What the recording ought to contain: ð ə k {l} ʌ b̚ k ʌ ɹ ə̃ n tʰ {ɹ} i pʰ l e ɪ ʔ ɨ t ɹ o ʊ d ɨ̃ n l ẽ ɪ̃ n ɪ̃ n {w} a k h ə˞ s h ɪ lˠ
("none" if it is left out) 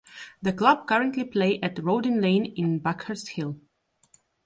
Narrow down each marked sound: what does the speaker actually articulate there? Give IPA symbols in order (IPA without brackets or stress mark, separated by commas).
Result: l, l, b